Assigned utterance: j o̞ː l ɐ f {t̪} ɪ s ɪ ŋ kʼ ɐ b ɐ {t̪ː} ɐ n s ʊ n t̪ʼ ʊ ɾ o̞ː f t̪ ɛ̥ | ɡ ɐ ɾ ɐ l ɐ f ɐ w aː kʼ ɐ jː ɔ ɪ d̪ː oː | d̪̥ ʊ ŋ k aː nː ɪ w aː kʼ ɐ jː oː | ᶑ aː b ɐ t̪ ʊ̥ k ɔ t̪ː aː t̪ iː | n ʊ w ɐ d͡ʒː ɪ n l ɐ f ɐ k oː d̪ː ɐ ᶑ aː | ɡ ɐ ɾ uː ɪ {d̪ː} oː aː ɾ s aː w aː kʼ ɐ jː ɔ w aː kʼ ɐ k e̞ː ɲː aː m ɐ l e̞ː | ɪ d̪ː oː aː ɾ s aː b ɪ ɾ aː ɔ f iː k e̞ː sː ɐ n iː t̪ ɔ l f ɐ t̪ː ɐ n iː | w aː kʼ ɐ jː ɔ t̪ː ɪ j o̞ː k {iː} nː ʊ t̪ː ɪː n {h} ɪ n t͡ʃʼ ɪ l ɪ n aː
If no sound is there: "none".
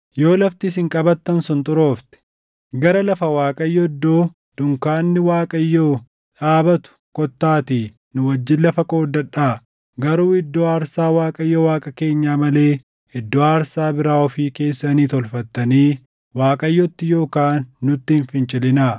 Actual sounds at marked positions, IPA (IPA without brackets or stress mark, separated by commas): t̪, t̪ː, d̪ː, aː, f